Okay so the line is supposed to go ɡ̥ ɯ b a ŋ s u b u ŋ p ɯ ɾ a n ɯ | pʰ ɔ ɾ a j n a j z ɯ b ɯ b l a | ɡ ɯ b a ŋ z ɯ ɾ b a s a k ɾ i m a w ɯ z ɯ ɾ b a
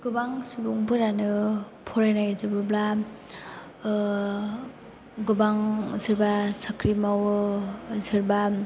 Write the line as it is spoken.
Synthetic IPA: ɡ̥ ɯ b a ŋ s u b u ŋ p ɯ ɾ a n ɯ | pʰ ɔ ɾ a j n a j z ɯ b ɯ b l a | ɡ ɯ b a ŋ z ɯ ɾ b a s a k ɾ i m a w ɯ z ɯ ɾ b a